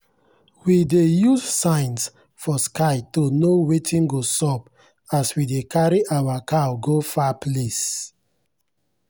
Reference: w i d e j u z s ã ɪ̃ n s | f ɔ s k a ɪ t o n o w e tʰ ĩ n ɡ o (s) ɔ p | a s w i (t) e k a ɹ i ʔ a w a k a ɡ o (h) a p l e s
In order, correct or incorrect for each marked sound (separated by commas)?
correct, incorrect, incorrect